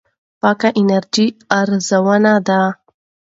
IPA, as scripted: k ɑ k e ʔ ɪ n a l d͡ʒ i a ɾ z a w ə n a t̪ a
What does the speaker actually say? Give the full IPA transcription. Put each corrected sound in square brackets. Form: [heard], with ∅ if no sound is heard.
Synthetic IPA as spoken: [p] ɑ k [a] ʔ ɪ n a [ɾ] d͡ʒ i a ɾ z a w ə n a [d̪] a